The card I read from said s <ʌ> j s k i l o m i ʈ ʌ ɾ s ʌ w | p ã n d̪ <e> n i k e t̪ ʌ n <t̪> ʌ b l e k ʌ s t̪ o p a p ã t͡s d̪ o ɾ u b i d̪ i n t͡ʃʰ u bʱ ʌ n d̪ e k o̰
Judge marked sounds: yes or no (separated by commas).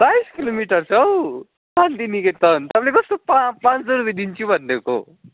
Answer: no, no, yes